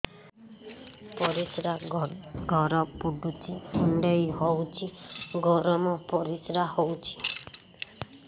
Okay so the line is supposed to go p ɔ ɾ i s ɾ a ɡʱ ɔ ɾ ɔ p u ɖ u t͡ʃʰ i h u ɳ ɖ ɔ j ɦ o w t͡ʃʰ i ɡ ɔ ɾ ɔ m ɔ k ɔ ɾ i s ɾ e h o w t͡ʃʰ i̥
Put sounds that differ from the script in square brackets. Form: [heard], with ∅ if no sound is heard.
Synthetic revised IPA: p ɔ ɾ i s ɾ a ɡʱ ɔ ɾ ɔ p u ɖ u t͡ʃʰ i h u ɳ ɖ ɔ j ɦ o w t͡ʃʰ i ɡ ɔ ɾ ɔ m ɔ [p] ɔ ɾ i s ɾ [a] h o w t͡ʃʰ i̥